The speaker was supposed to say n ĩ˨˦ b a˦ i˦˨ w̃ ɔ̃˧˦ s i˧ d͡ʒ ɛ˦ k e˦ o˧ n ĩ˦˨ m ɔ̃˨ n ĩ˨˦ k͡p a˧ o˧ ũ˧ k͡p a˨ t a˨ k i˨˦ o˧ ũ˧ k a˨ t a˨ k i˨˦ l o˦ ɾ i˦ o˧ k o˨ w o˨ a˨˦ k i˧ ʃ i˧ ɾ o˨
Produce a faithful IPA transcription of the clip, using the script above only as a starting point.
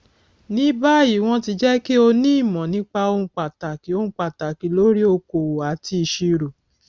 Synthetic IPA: n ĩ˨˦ b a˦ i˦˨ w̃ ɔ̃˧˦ t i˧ d͡ʒ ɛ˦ k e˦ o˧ n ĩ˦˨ m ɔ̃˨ n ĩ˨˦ k͡p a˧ o˧ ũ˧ k͡p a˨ t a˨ k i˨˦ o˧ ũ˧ k͡p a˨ t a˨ k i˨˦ l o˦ ɾ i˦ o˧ k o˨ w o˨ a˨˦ t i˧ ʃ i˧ ɾ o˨